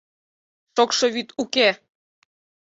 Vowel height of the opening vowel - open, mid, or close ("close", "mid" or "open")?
mid